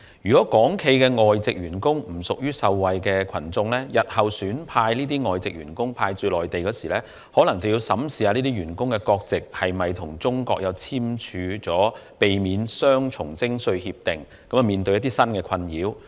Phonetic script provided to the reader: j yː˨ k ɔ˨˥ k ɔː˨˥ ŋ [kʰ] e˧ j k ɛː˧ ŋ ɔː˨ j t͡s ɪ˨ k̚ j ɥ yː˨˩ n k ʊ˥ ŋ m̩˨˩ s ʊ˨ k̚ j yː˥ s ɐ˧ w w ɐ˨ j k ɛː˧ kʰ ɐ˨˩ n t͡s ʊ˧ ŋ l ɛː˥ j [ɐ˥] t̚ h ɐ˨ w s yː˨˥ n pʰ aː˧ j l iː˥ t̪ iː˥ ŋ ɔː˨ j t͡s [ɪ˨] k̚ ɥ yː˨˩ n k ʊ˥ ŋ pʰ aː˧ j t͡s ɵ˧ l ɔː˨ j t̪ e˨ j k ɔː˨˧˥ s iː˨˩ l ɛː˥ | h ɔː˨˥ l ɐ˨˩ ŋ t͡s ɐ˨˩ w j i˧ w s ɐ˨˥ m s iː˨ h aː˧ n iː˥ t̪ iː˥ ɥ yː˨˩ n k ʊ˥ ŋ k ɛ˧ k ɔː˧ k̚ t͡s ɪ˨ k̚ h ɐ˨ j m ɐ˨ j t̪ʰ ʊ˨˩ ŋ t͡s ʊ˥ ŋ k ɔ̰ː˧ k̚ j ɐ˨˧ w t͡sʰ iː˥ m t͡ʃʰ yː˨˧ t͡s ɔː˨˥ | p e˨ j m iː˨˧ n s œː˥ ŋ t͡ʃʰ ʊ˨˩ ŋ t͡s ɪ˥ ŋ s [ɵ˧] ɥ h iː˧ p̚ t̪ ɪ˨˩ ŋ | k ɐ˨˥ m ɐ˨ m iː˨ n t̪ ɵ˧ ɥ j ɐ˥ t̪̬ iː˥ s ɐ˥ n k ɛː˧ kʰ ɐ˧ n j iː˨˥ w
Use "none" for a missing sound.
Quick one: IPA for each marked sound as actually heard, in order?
kʰ, ɐ˨, ɪ˨, ɵ˧

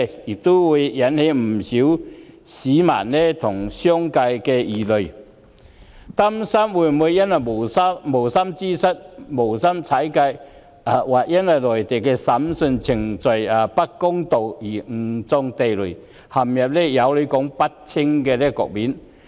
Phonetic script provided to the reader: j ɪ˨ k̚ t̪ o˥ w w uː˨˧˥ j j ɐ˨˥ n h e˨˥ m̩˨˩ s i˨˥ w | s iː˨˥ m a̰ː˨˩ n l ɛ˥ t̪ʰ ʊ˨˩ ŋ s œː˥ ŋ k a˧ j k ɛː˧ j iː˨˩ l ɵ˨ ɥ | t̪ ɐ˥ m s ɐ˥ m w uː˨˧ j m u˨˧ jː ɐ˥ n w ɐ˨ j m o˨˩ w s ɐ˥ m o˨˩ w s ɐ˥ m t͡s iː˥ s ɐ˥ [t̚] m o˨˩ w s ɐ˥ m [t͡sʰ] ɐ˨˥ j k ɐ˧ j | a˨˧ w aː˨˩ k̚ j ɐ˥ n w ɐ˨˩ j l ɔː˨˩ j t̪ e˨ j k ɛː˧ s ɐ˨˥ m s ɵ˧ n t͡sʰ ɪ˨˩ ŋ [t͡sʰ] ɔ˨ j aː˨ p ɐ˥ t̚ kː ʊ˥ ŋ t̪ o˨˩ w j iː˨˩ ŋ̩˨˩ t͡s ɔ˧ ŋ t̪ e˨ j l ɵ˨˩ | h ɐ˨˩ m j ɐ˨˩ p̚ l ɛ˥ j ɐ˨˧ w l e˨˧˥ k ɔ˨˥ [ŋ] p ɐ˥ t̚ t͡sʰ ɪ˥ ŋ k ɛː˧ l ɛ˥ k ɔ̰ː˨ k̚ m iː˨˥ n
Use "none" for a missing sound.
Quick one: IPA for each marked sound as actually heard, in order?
t̚, t͡sʰ, t͡s, ŋ

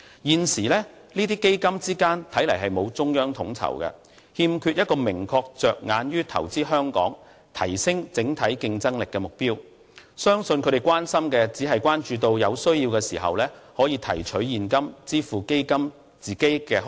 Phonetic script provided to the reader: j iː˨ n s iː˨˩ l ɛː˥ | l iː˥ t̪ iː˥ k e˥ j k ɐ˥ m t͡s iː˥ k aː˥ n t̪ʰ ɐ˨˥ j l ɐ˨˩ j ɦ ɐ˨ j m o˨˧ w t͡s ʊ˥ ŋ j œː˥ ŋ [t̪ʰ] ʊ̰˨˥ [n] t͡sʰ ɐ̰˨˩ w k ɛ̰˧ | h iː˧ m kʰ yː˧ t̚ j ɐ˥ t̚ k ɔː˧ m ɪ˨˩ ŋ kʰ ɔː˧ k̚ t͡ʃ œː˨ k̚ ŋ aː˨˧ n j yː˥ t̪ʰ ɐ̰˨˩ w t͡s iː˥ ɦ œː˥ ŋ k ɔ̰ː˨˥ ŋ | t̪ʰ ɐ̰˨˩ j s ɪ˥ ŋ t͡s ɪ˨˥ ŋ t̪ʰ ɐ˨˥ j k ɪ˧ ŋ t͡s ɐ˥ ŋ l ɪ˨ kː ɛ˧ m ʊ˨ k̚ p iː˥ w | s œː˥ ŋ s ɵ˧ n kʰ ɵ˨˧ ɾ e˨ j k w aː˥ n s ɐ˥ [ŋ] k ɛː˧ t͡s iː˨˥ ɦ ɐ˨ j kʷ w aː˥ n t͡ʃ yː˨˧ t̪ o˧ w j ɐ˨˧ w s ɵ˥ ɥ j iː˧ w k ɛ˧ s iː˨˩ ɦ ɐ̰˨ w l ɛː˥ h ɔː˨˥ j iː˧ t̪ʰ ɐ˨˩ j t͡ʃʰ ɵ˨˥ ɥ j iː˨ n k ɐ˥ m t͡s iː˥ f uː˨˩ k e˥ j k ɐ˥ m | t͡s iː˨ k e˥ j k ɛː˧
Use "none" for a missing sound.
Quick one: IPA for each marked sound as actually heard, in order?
t̪ʰ, ŋ, m

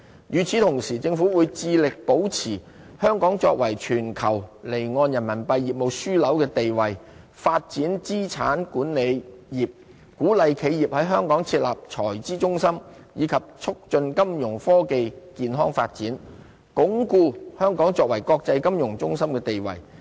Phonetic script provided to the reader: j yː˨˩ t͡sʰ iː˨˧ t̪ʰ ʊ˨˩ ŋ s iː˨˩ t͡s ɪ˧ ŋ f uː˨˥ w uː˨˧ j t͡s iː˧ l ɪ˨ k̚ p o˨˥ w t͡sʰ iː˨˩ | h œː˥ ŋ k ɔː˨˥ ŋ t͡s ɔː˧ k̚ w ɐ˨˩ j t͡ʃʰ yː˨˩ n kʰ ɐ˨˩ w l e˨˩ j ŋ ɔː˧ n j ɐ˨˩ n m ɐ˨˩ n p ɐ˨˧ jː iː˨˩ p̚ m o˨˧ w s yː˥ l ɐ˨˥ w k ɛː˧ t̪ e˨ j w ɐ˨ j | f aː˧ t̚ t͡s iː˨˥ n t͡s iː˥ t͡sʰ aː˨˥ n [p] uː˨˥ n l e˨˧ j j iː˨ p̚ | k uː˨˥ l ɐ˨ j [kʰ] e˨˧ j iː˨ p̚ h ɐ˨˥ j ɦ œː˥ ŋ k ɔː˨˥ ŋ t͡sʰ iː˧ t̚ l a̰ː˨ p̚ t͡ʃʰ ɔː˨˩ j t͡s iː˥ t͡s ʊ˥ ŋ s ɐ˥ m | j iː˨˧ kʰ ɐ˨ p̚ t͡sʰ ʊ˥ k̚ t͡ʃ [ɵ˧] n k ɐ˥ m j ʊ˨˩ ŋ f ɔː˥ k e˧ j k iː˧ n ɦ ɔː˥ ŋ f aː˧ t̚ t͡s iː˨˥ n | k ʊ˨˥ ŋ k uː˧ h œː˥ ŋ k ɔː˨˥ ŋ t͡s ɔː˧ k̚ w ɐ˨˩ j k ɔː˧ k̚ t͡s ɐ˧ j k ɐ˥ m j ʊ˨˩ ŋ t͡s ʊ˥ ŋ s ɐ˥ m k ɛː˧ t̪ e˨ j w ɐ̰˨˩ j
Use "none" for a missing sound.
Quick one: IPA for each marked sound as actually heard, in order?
k, kʰ, ɵ˧

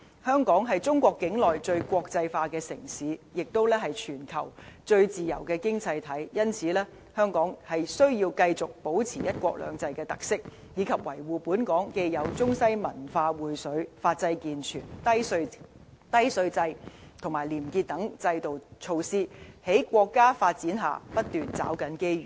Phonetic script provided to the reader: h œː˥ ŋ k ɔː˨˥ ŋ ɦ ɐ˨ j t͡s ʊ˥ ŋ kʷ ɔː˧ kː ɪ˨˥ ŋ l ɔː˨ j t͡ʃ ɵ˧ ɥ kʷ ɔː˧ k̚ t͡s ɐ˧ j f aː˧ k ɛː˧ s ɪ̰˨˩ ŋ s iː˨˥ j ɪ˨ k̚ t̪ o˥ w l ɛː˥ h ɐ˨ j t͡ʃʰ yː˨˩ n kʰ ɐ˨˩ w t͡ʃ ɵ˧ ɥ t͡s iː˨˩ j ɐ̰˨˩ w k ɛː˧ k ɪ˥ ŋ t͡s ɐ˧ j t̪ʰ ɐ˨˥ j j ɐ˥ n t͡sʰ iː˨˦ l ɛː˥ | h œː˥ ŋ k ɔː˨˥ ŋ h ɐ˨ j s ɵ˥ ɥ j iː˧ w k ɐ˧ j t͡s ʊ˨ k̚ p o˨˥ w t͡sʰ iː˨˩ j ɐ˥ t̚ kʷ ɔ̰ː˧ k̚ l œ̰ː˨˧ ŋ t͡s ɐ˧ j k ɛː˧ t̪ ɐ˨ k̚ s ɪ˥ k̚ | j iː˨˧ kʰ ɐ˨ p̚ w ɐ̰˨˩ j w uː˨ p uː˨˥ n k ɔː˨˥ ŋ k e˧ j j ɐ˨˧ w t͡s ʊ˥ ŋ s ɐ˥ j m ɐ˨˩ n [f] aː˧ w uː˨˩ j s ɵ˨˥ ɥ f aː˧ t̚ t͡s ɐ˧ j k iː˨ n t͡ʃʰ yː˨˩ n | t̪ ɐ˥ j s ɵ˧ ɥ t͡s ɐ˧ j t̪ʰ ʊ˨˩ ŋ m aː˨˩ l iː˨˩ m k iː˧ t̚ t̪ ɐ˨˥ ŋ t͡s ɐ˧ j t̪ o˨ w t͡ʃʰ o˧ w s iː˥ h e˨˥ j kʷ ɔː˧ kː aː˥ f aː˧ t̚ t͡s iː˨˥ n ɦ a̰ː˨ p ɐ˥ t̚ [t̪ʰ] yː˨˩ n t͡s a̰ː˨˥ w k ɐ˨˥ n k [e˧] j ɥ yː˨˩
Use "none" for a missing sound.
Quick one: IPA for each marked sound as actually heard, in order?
f, t̪, e˥

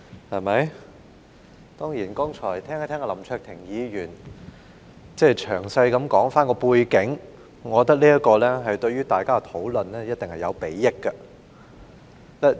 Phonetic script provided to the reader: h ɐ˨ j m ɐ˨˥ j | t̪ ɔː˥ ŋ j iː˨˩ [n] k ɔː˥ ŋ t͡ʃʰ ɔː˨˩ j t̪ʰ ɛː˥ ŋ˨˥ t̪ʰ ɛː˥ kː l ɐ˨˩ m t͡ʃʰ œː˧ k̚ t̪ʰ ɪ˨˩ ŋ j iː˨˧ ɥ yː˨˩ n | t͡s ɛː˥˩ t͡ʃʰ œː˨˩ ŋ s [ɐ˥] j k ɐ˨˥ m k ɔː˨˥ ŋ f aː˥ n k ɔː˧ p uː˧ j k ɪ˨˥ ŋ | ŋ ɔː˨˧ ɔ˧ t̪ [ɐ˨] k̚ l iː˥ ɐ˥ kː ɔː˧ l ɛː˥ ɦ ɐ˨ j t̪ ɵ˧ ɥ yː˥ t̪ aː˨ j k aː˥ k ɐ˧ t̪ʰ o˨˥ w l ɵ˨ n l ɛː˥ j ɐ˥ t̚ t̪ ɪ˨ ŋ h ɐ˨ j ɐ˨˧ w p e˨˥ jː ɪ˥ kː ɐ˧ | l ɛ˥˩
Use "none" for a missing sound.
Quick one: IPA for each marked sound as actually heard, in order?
n, ɐ˧, ɐ˥

